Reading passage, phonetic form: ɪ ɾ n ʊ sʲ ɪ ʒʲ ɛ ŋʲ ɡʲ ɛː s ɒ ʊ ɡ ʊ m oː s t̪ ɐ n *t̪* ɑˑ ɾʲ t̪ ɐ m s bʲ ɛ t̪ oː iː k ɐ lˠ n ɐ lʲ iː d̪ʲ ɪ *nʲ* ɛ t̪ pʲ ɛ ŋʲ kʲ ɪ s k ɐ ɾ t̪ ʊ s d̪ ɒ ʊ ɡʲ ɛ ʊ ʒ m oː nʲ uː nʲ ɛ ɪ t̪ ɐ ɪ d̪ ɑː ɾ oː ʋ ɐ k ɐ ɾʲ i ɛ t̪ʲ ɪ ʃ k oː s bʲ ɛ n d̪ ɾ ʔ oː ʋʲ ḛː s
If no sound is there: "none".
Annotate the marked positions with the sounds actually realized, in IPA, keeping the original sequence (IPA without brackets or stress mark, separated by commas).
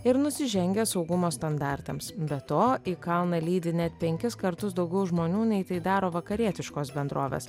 d̪, nʲ